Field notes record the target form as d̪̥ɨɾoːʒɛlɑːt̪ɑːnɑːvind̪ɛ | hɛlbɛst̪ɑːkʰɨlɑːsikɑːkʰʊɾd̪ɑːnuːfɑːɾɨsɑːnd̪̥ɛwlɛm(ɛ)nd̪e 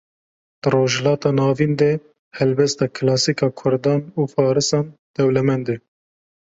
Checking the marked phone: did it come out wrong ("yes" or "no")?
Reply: no